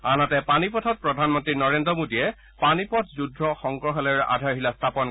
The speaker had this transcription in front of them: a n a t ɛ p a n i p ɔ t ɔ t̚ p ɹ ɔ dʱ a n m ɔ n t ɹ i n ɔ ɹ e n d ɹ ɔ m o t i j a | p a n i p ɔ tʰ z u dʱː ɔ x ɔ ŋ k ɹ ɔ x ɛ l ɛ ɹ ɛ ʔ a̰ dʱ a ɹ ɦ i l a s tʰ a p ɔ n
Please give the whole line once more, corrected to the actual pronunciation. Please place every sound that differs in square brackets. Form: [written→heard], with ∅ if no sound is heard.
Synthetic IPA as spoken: a n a t ɛ p a n i p ɔ [t→tʰ] ɔ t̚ p ɹ ɔ dʱ a n m ɔ n t ɹ i n ɔ ɹ e n d ɹ ɔ m o [t→d] i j [a→ɛ] | p a n i p ɔ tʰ z u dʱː ɔ x ɔ ŋ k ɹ ɔ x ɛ l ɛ ɹ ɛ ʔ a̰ dʱ a ɹ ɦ i l a s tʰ a p ɔ n